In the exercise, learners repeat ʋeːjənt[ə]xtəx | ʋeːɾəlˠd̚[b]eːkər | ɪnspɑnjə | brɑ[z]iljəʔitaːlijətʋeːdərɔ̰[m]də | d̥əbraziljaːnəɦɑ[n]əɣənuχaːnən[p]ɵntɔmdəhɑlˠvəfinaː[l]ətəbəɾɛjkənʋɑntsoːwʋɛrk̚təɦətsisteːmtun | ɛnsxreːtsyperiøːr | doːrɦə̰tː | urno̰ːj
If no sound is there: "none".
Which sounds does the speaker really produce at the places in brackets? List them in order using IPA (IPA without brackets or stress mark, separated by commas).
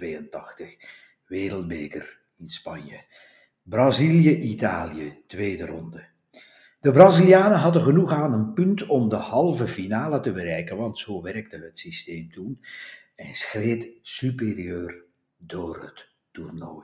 ɑ, b, z, n, d, p, l